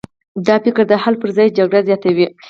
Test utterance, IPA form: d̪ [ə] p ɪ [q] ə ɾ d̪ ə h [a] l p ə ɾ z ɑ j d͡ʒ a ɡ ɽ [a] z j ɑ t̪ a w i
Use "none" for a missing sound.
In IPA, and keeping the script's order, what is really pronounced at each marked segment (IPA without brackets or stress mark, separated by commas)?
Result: ɑ, k, a, a